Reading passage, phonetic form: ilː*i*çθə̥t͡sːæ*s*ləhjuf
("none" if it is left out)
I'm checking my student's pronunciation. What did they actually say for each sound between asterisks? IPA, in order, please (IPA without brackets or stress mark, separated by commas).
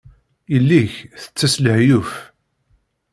i, s